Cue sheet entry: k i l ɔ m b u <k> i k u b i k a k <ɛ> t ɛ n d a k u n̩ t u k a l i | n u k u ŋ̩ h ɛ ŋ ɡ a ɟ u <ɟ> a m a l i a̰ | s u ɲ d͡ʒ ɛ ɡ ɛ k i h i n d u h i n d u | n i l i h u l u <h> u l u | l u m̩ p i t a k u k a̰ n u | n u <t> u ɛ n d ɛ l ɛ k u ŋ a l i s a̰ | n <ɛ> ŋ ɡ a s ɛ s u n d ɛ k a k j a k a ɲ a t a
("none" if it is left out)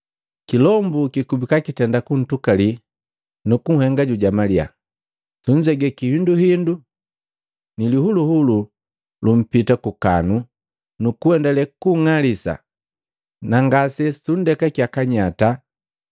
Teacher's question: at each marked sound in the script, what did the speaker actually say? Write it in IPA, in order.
k, i, ɟ, h, k, a

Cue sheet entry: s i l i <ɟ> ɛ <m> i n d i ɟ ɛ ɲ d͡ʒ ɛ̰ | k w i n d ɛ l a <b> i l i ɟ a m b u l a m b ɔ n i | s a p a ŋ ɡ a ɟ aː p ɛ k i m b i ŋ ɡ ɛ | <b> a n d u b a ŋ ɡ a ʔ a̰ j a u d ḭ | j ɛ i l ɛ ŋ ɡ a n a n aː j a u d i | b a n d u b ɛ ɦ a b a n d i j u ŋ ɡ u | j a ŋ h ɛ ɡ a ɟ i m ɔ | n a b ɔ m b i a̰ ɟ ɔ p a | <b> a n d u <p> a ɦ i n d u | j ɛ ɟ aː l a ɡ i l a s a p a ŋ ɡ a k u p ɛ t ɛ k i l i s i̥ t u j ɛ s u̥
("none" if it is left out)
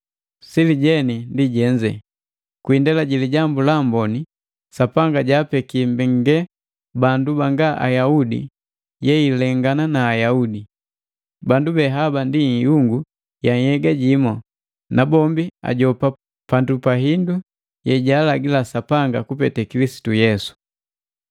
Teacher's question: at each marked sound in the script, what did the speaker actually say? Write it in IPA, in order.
ɟ, n, ɟ, b, p, p

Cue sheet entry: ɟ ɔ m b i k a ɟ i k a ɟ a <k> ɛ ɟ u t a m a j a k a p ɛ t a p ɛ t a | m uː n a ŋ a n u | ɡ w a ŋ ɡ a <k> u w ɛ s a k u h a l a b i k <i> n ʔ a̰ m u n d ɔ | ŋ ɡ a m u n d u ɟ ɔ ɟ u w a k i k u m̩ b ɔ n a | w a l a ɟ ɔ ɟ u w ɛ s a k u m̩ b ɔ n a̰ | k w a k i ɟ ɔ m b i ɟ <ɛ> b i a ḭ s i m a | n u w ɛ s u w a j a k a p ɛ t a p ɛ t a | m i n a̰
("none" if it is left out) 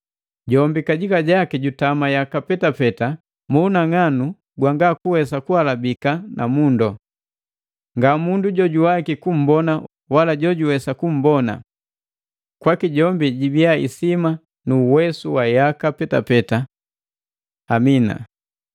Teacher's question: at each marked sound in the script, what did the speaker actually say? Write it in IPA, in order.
k, k, a, i

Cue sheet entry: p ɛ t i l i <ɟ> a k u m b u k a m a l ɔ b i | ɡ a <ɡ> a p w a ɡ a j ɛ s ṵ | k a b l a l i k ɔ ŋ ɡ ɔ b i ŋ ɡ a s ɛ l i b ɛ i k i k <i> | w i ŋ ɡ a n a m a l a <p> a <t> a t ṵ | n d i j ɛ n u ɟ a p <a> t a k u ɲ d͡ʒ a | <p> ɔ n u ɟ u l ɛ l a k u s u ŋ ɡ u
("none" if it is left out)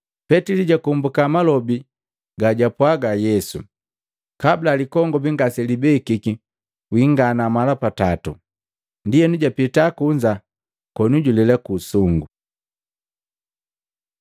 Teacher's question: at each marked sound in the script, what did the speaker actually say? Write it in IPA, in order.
ɟ, ɟ, i, p, t, i, k

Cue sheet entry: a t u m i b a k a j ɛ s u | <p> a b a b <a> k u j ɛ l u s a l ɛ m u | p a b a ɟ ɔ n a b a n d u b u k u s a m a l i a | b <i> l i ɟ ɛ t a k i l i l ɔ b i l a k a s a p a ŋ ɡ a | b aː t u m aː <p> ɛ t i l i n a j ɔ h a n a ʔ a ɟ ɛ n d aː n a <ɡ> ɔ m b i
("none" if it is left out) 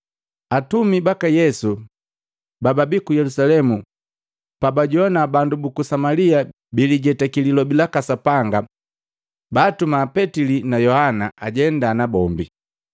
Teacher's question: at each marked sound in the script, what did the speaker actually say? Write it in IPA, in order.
b, i, i, p, b

